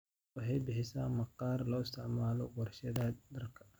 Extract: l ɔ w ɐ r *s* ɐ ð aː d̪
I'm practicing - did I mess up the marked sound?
yes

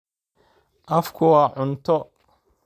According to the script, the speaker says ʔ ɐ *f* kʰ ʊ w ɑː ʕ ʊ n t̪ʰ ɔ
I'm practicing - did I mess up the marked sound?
no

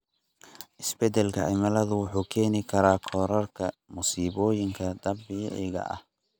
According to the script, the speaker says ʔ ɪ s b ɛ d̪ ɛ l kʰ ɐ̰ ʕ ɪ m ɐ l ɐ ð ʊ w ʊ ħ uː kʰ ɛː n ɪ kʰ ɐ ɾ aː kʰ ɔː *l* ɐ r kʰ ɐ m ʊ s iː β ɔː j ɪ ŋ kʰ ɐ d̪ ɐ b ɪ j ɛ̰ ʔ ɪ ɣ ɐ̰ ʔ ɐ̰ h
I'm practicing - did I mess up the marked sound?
yes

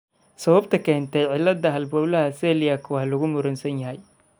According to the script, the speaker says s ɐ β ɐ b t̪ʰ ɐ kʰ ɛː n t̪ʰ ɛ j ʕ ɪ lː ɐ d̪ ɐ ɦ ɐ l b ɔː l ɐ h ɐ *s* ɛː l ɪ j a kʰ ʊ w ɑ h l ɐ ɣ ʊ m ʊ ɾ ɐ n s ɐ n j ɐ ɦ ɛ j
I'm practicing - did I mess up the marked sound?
no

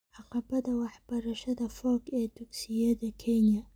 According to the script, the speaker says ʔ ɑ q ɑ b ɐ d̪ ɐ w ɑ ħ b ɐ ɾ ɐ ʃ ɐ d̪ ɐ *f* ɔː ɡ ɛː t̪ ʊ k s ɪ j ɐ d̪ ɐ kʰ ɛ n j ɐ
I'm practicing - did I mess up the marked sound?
no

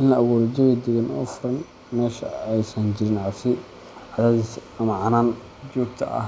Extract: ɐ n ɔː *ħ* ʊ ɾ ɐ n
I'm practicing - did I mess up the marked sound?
yes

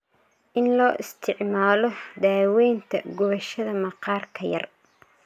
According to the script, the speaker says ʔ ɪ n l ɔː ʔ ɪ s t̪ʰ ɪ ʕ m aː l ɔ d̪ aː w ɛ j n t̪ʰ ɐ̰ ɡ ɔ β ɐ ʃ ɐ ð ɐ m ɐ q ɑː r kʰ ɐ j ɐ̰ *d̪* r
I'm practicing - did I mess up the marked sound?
yes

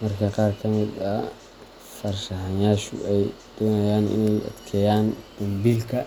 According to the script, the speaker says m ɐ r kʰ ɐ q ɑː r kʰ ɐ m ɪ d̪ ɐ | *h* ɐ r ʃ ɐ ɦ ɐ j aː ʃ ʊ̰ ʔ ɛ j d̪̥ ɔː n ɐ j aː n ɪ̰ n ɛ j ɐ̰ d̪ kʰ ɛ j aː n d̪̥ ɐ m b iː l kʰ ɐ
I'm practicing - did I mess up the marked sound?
yes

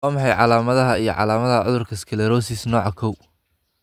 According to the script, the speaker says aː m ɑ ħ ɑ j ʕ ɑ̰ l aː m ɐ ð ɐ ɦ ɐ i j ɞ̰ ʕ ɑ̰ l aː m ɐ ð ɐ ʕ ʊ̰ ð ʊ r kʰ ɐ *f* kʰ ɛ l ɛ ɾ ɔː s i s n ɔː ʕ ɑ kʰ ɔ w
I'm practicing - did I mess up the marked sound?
yes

